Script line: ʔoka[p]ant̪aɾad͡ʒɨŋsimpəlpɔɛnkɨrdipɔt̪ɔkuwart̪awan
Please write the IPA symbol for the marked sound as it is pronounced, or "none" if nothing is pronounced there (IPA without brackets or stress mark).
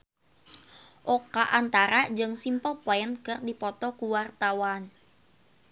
ʔ